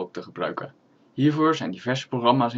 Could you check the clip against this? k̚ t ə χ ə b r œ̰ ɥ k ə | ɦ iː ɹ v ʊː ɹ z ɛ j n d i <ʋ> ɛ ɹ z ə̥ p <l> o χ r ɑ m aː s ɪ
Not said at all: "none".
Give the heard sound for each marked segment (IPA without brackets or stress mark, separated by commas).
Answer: v, r